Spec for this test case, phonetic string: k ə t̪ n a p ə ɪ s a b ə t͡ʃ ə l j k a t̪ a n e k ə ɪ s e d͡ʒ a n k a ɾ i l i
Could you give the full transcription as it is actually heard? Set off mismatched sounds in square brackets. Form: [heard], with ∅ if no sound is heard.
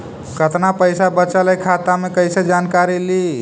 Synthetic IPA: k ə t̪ n a p ə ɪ s a b ə t͡ʃ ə l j [kʰ] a t̪ a [m] e k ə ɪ s e d͡ʒ a n k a ɾ i l i